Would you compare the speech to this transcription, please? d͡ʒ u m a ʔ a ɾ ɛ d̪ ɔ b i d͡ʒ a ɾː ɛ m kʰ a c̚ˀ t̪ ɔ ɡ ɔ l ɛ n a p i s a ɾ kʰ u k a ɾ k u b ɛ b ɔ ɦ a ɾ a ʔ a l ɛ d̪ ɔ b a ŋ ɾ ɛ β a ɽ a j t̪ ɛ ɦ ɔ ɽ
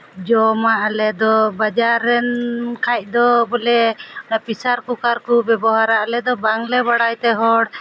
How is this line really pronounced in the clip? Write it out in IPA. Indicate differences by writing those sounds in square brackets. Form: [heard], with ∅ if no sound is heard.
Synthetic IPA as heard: d͡ʒ [ɔ] m a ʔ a [l] ɛ d̪ ɔ b [a] d͡ʒ a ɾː ɛ [n] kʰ a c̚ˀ [d̪] ɔ [b] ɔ l ɛ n a p i s a ɾ [k] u k a ɾ k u b ɛ b ɔ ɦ a ɾ a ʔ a l ɛ d̪ ɔ b a ŋ [l] ɛ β a ɽ a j t̪ ɛ ɦ ɔ ɽ